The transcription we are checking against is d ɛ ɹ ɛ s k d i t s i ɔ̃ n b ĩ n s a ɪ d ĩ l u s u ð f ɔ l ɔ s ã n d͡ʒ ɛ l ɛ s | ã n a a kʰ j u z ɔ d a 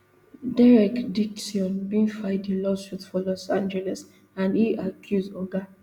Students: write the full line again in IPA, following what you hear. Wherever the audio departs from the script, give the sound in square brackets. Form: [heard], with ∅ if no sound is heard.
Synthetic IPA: d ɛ ɹ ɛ [∅] k d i [k] s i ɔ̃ n b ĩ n [f] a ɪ d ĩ l [ɔ] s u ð f ɔ l ɔ s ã n d͡ʒ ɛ l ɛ s | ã n [i] a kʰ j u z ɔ [ɡ] a